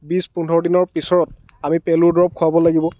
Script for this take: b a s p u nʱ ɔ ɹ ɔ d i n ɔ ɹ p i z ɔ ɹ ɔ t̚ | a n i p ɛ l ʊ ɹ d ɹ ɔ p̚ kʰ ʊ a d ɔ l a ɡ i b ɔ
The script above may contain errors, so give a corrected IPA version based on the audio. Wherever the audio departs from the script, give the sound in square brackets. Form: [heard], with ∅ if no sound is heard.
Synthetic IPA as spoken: b [i] s p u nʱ ɔ ɹ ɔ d i n ɔ ɹ p i [s] ɔ ɹ ɔ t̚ | a [m] i p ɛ l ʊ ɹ d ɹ ɔ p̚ kʰ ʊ a [b] ɔ l a ɡ i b ɔ